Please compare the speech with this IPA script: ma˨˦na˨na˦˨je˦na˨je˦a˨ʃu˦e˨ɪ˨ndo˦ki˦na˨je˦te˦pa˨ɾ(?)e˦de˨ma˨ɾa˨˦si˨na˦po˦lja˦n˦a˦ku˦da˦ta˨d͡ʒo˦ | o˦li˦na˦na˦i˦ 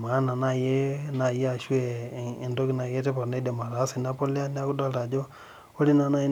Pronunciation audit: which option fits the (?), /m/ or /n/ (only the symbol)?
n